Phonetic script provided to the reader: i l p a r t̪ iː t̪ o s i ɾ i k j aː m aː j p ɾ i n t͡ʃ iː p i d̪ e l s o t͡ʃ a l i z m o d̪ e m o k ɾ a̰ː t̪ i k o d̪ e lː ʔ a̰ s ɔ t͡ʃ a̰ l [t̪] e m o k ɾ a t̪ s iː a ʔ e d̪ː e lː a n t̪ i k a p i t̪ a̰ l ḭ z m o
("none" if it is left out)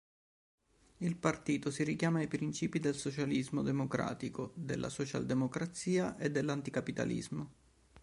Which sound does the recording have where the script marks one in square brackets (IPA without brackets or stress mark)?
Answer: d̪